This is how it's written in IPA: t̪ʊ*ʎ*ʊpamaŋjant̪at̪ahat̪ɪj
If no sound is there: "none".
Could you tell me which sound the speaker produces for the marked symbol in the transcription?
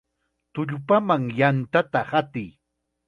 ʎ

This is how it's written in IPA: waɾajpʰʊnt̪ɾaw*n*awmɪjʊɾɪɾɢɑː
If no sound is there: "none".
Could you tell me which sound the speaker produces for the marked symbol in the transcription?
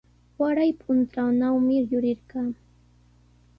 n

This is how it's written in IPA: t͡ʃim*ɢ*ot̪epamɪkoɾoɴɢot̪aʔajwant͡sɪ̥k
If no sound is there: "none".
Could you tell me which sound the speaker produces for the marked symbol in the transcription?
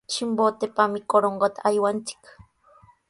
b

